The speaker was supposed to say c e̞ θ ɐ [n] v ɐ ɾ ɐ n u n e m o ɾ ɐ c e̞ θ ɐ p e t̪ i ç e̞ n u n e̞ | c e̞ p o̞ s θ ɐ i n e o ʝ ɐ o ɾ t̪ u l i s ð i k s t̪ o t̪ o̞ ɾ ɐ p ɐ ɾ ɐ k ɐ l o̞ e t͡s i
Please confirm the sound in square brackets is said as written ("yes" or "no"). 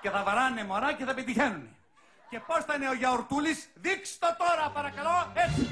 no